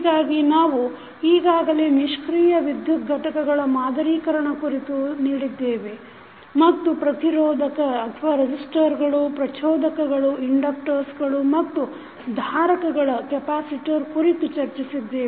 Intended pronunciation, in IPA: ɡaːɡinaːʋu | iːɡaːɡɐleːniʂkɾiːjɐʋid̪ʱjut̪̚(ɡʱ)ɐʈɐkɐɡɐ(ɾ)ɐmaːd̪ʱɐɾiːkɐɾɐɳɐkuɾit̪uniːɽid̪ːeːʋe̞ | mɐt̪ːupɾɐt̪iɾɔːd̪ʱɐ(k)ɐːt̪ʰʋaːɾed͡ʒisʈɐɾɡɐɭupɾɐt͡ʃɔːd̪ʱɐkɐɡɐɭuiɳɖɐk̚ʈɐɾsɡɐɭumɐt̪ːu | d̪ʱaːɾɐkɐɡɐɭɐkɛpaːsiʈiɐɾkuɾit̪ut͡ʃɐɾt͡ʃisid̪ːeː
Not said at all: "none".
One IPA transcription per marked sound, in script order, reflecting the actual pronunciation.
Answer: ɡʱ, ɭ, k

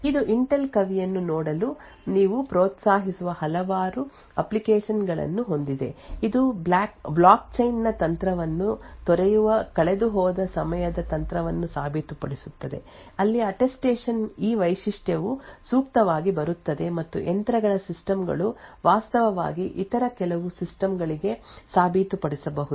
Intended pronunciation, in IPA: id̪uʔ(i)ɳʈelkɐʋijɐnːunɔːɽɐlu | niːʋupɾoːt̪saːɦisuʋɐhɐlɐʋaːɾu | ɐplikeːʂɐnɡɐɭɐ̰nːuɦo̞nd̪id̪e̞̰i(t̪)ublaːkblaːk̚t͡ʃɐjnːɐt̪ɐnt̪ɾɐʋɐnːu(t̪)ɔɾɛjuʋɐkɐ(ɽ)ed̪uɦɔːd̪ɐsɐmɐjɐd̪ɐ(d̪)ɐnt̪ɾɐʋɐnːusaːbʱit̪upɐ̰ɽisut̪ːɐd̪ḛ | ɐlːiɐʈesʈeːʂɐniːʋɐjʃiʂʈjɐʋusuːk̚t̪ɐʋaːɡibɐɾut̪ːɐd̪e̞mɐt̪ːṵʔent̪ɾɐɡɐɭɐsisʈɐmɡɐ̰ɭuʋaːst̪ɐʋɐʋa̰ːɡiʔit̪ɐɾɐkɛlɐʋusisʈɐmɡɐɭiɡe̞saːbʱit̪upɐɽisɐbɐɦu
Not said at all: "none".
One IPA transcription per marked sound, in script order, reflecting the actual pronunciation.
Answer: i, d̪, t̪, ɭ, t̪

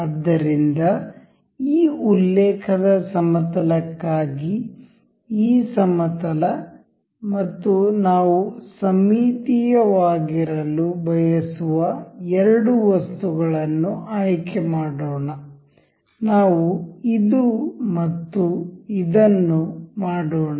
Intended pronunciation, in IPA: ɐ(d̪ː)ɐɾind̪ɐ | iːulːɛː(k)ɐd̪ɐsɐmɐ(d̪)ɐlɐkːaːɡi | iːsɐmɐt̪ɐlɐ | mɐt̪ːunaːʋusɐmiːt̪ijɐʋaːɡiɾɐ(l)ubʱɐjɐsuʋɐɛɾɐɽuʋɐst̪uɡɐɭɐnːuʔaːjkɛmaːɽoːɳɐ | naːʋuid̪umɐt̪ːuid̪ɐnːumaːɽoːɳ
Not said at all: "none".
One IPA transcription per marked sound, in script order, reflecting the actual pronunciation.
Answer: d̪ː, kʰ, t̪, l

